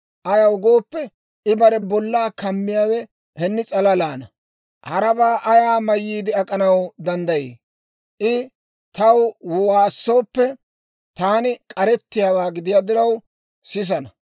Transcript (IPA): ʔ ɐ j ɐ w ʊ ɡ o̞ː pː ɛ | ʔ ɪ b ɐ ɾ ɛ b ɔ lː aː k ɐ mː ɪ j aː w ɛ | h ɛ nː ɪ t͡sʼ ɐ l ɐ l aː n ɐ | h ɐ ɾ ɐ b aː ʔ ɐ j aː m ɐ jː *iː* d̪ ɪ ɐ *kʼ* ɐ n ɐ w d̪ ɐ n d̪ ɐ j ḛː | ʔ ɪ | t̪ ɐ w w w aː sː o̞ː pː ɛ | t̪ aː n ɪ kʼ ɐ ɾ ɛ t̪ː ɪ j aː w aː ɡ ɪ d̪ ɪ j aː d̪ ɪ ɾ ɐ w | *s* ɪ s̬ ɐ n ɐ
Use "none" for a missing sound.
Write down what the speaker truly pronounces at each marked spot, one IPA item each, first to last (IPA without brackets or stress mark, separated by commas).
iː, kʼ, s